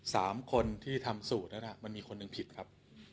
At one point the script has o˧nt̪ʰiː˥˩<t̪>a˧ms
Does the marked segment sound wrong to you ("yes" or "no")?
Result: yes